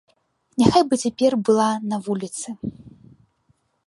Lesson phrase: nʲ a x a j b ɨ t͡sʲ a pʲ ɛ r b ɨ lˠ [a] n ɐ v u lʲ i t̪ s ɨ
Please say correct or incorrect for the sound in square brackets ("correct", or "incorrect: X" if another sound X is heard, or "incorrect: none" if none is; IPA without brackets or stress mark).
correct